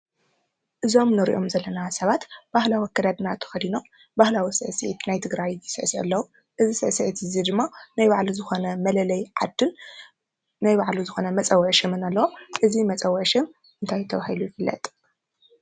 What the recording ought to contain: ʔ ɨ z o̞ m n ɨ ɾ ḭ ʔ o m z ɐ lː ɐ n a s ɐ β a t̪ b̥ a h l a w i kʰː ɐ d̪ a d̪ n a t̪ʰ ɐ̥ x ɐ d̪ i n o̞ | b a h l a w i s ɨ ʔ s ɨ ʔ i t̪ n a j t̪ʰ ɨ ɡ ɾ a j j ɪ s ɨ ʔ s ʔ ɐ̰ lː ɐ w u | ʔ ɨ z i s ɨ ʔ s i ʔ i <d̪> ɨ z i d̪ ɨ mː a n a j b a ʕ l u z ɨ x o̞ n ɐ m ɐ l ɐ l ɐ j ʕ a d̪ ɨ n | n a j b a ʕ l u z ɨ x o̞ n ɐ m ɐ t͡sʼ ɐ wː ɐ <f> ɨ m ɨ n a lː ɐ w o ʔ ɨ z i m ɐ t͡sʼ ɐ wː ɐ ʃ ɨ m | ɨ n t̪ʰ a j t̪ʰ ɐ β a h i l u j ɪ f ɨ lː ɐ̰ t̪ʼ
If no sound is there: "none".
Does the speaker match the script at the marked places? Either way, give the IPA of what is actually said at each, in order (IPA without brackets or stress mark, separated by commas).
t̪, ʃ